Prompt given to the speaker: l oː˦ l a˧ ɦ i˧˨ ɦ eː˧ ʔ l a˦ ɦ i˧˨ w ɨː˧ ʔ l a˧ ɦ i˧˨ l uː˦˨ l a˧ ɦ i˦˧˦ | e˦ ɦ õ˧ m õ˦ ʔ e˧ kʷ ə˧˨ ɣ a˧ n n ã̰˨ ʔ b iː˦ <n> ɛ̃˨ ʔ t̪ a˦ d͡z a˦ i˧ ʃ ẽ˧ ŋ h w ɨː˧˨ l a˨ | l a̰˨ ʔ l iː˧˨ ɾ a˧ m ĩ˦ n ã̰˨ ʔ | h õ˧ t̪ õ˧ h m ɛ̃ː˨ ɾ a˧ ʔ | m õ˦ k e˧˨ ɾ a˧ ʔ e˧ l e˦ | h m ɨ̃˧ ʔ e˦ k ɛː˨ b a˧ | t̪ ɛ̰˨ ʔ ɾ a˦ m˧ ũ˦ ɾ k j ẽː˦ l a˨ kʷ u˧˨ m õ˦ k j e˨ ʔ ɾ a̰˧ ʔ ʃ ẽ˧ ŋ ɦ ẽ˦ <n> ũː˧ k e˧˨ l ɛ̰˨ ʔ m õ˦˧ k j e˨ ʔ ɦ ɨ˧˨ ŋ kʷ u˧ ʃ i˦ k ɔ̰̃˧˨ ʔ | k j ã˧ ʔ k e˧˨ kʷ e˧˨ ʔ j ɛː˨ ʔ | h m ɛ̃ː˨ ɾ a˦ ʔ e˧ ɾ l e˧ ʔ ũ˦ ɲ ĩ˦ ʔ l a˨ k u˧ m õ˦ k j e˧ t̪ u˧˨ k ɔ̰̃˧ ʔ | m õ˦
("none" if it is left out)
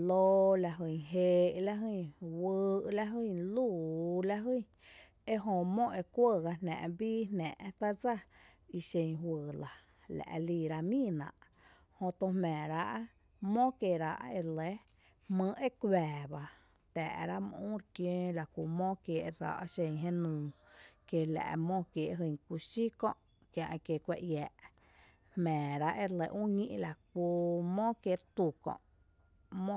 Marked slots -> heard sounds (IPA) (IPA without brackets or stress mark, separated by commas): n, n